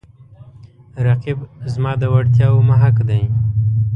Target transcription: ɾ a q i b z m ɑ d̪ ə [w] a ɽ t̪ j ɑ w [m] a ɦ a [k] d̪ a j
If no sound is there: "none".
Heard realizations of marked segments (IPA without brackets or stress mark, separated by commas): w, m, k